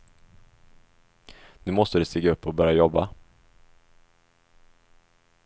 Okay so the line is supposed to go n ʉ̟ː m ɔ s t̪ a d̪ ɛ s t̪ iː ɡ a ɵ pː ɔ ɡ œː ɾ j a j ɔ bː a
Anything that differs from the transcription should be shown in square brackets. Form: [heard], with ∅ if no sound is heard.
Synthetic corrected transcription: n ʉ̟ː m ɔ s t̪ [ə] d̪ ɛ s t̪ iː ɡ a ɵ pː ɔ [b] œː ɾ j a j ɔ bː a